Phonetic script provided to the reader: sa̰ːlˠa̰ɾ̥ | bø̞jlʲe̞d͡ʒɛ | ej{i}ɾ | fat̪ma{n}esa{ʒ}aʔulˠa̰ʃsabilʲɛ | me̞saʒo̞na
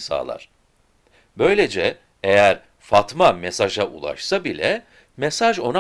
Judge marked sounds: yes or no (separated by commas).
no, no, yes